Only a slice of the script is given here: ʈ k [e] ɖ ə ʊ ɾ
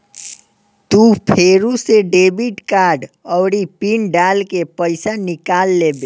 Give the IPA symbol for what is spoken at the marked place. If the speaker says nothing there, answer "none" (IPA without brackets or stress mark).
a